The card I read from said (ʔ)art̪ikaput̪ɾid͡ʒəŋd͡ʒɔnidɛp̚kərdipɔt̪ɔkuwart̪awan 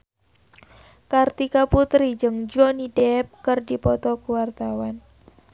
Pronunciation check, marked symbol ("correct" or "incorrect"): incorrect